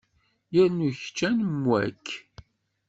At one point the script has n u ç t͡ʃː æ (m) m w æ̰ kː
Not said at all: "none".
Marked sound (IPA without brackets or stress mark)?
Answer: n